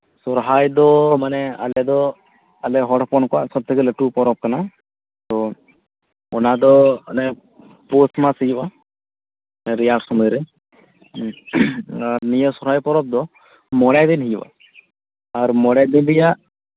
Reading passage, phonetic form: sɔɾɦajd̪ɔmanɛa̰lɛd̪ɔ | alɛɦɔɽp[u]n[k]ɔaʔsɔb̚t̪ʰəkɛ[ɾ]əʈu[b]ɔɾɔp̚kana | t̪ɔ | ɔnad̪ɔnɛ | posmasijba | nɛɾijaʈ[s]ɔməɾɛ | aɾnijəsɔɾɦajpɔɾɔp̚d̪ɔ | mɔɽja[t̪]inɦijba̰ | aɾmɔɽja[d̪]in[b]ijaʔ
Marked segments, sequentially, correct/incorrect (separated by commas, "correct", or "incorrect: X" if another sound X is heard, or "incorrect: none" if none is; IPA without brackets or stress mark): incorrect: ɔ, correct, incorrect: l, incorrect: p, correct, incorrect: d̪, correct, correct